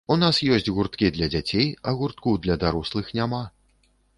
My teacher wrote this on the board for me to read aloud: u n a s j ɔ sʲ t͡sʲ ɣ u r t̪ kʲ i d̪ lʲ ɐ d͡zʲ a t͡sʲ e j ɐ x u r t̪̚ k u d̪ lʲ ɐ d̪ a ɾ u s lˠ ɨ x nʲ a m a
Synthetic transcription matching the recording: u n a s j ɔ sʲ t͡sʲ ɣ u r t̪ kʲ i d̪ lʲ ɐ d͡zʲ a t͡sʲ e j ɐ ɣ u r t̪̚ k u d̪ lʲ ɐ d̪ a ɾ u s lˠ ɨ x nʲ a m a